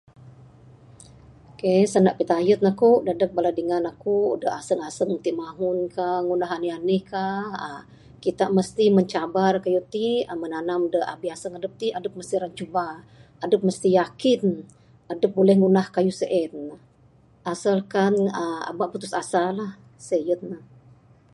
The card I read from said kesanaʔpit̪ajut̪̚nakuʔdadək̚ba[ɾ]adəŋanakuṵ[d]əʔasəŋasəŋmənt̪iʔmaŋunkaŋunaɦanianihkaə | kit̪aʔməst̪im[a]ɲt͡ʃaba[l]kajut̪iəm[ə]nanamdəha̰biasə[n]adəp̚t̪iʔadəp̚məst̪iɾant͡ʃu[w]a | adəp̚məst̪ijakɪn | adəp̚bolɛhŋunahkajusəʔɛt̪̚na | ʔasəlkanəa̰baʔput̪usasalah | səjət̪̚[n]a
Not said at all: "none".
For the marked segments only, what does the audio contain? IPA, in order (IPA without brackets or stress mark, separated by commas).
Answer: l, d, ə, r, ə, ŋ, b, n